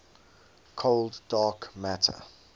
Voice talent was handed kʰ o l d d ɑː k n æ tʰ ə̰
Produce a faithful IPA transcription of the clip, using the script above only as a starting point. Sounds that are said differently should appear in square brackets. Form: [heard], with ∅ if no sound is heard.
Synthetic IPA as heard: kʰ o l d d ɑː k [m] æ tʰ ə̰